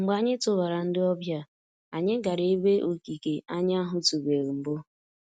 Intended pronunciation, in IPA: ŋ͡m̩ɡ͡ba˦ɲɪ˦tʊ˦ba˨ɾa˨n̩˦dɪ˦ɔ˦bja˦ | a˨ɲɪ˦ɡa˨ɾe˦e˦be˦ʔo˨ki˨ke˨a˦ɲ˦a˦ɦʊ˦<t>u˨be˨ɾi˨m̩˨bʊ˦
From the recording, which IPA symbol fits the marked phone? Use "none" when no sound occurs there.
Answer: t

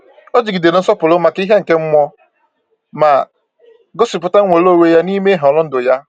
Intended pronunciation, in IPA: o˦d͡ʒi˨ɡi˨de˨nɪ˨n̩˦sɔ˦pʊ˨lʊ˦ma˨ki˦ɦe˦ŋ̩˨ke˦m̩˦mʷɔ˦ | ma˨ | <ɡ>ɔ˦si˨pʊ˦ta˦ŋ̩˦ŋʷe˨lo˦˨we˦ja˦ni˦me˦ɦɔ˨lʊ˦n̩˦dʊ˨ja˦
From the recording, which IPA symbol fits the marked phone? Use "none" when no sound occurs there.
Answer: ɡ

